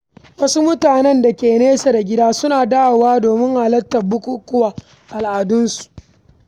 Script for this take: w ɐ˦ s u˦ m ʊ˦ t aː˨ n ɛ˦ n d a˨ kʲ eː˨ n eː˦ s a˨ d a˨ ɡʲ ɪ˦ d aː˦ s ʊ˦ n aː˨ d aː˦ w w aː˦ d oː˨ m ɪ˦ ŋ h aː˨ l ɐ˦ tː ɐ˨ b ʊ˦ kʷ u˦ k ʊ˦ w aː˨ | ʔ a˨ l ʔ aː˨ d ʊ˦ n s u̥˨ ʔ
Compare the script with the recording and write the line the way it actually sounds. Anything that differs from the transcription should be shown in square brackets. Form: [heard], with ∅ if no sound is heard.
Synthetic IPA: w ɐ˦ s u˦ m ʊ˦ t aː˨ n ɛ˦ n d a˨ kʲ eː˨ n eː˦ s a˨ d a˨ ɡʲ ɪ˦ d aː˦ s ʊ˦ n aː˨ d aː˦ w w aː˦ d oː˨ m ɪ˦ ŋ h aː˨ l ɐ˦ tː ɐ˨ b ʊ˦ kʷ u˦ k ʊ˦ w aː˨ | ʔ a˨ l ʔ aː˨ d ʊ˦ n s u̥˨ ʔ